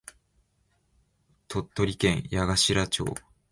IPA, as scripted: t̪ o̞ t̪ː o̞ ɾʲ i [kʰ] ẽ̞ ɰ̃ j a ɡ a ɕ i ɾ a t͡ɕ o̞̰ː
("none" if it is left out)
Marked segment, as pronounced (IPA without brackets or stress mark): k